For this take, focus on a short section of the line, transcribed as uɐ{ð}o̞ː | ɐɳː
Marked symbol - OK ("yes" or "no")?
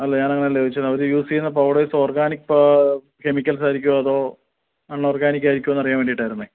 yes